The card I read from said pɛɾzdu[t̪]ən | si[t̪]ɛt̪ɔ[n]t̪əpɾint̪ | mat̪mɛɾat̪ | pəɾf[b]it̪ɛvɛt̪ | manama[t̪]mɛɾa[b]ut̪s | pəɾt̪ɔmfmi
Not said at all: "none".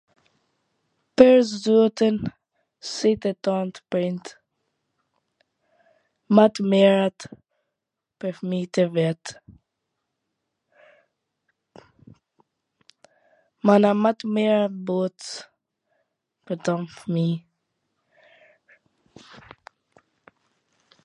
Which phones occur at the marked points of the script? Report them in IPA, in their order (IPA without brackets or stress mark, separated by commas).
t̪, t̪, n, m, t̪, b